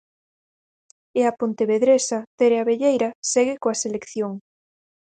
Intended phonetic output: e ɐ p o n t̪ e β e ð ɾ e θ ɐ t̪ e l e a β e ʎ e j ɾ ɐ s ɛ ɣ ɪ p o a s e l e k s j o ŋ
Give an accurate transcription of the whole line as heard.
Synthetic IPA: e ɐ p o n t̪ e β e ð ɾ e s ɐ t̪ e ɾ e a β e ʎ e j ɾ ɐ s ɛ ɣ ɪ k o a s e l e k θ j o ŋ

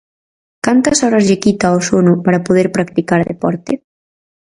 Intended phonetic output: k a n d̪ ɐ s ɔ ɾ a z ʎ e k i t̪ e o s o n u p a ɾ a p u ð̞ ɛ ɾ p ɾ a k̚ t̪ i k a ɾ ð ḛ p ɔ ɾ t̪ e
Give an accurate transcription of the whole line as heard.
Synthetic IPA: k a n t̪ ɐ s ɔ ɾ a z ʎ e k i t̪ a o s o n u p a ɾ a p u ð̞ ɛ ɾ p ɾ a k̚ t̪ i k a ɾ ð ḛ p ɔ ɾ t̪ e

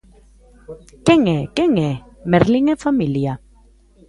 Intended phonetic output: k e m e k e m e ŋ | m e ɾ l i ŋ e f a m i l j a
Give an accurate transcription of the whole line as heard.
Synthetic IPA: k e ŋ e k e ŋ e | m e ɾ l i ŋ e f a m i l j a

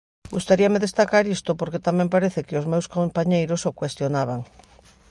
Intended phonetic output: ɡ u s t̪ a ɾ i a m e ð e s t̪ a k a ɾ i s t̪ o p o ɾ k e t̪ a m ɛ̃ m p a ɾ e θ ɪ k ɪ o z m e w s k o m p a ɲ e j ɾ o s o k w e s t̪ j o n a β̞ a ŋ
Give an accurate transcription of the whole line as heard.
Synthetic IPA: ɡ u s t̪ a ɾ i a m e ð e s t̪ a k a ɾ i s t̪ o p o ɾ k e t̪ a m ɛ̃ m p a ɾ e θ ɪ k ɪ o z m e w s k o m p a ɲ e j ɾ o s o k w e s t̪ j o n a β̞ a ŋ

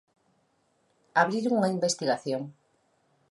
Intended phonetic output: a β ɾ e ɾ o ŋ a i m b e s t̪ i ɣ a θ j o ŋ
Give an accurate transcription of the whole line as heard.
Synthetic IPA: a β ɾ i ɾ u ŋ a i m b e s t̪ i ɣ a θ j o ŋ

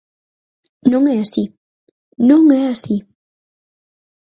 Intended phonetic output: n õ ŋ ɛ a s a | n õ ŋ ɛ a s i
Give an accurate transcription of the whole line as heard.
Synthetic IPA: n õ ŋ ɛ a s i | n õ ŋ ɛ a s i

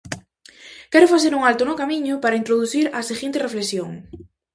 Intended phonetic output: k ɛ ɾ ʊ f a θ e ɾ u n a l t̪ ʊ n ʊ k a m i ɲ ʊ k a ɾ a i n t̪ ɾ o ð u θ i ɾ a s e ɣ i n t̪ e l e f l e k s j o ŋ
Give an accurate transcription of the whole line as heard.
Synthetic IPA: k ɛ ɾ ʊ f a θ e ɾ u ŋ a l t̪ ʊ n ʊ k a m i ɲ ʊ p a ɾ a i n t̪ ɾ o ð u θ i ɾ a s e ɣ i n t̪ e r e f l e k s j o ŋ

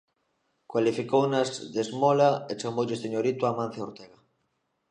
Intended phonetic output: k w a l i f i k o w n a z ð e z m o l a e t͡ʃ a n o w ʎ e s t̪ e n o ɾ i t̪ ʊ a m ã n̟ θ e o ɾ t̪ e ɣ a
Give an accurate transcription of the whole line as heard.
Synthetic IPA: k w a l i f i k o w n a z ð e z m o l a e t͡ʃ a m o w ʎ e s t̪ e ɲ o ɾ i t̪ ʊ a m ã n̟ θ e o ɾ t̪ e ɣ a

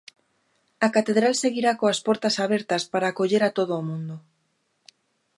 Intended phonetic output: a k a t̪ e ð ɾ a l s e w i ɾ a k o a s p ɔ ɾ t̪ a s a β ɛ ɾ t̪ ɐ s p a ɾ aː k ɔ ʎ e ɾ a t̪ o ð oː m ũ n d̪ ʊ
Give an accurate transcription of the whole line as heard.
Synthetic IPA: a k a t̪ e ð ɾ a l s e ɣ i ɾ a k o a s p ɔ ɾ t̪ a s a β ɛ ɾ t̪ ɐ s p a ɾ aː k o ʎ e ɾ a t̪ o ð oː m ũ n d̪ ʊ

